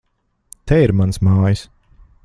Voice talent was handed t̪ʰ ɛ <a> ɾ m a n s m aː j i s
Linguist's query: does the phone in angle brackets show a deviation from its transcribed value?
yes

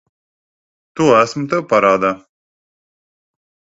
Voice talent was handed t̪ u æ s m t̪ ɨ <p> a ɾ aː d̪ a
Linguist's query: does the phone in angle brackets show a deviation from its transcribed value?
no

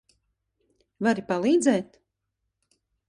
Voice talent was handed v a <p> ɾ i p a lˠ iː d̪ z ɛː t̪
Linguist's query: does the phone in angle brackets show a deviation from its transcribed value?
yes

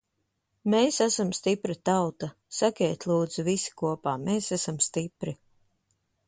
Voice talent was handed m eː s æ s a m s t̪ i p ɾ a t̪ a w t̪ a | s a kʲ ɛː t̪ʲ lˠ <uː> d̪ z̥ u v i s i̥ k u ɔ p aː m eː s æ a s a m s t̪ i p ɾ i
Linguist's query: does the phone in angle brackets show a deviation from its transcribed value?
no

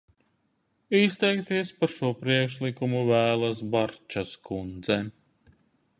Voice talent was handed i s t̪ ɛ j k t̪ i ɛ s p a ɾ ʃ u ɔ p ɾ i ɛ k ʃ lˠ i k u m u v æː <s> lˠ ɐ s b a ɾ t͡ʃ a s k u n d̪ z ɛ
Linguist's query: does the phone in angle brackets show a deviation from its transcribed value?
yes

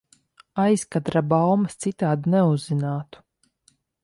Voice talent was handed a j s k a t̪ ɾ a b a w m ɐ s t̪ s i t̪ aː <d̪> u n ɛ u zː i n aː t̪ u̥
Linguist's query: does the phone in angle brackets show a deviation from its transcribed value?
no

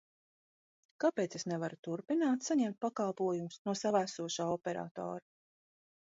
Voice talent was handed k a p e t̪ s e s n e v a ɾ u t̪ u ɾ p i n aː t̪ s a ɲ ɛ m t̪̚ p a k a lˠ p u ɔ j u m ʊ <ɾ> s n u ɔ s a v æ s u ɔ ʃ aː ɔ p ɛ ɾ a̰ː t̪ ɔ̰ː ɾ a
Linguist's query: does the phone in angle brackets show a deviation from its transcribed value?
yes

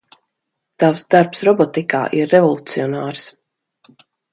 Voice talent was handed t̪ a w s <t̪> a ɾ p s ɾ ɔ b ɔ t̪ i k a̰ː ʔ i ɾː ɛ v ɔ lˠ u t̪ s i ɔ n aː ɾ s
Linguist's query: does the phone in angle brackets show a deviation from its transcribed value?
yes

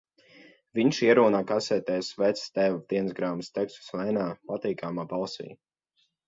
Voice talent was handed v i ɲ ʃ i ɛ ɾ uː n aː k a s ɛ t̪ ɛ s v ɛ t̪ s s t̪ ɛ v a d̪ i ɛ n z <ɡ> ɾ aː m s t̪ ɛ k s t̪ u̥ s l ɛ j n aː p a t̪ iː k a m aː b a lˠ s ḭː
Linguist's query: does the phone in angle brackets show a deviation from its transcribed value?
no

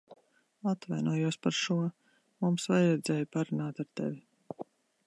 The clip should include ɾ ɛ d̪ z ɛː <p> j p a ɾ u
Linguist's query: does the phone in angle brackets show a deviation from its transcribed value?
yes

